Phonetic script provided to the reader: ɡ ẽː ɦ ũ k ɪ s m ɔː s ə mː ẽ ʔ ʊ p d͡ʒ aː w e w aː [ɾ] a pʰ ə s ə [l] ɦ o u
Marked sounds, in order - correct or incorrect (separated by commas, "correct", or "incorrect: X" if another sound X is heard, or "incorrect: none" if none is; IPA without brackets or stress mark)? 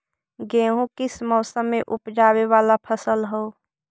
incorrect: l, correct